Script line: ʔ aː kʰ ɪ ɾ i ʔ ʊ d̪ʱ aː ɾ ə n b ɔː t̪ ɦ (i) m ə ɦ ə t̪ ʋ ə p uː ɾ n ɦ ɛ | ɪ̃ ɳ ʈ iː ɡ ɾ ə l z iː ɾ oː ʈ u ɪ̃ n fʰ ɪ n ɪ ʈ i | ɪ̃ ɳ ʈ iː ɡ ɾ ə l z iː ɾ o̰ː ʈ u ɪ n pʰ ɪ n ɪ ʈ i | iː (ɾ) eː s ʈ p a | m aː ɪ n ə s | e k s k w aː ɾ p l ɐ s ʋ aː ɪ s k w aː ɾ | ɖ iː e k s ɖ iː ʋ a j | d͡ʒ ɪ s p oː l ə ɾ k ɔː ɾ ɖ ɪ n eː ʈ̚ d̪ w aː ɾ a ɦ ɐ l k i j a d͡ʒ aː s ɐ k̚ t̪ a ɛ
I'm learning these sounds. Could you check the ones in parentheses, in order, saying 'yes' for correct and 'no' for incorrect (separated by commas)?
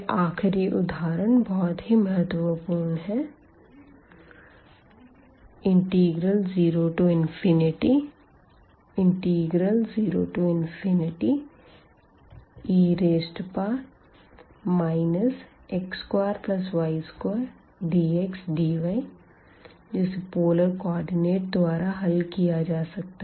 yes, yes